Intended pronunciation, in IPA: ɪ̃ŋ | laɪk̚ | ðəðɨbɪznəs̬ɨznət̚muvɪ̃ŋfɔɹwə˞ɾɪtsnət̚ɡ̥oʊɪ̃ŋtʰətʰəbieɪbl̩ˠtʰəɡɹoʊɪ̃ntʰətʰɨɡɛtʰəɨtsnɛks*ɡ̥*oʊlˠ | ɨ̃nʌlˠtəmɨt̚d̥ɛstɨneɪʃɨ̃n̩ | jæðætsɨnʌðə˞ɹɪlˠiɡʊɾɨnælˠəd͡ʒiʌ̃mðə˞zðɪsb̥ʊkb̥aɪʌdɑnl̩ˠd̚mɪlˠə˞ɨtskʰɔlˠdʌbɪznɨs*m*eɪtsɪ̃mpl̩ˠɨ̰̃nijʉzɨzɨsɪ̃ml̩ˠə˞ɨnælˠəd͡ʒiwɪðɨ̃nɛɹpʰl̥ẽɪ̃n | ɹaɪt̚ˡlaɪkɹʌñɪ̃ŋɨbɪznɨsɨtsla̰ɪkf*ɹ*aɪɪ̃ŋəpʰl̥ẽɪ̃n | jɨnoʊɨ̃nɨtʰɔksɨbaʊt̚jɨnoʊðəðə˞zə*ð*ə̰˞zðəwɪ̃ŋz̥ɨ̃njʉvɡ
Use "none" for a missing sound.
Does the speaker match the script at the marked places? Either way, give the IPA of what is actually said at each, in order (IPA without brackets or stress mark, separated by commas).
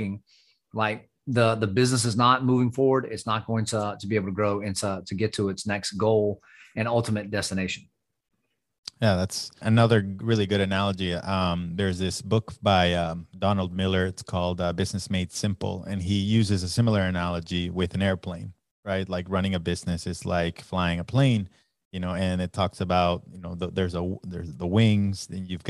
ɡ̥, m, l, ð